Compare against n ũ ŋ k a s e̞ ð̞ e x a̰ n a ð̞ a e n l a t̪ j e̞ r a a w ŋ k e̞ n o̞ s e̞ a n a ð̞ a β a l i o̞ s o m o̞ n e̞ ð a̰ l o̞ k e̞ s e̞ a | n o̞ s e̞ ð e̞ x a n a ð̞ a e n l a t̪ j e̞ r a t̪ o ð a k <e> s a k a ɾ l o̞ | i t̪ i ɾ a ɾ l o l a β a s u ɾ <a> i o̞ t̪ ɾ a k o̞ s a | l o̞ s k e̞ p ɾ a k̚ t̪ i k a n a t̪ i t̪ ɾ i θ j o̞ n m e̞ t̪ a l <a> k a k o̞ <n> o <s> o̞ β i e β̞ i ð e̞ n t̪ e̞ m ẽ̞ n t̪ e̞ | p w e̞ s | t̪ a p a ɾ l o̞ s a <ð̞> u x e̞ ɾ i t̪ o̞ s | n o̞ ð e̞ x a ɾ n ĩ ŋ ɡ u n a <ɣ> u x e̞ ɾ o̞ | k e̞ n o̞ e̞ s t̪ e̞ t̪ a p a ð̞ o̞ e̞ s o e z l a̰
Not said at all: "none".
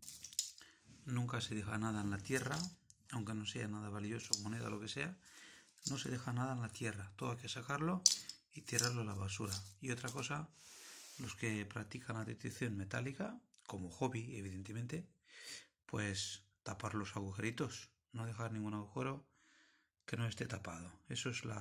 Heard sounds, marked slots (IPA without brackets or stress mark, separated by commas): e, a, i, m, x, ɣ̞, ɣ